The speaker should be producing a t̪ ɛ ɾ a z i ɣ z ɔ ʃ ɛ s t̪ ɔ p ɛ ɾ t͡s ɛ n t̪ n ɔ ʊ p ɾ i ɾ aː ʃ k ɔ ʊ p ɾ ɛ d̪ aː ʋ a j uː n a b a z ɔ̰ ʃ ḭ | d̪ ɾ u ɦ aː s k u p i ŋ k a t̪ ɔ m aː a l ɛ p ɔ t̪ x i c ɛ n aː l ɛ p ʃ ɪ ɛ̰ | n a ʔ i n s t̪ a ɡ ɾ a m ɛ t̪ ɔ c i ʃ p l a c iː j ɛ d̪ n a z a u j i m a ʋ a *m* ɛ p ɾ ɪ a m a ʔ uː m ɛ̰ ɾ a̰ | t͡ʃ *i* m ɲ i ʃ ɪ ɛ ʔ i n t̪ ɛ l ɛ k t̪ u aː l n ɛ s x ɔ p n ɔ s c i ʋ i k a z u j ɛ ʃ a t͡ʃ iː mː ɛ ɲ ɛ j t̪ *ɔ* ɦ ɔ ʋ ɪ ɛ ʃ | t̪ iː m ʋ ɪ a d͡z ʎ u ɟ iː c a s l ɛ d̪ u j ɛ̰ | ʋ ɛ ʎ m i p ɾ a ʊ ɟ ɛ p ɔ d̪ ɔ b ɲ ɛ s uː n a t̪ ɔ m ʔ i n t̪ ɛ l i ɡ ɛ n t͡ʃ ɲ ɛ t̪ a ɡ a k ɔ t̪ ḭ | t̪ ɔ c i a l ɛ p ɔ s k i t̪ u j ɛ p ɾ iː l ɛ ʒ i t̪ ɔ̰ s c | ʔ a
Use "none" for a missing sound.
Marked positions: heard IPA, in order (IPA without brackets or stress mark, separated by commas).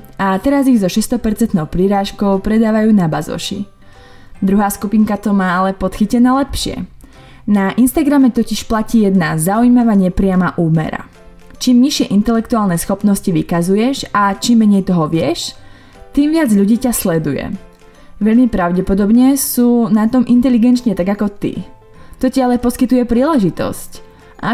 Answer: ɲ, iː, ɔ